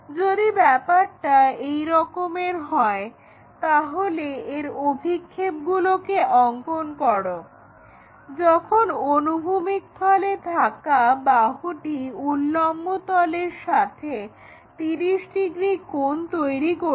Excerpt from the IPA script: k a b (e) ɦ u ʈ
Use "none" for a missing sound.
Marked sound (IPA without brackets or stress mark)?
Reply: a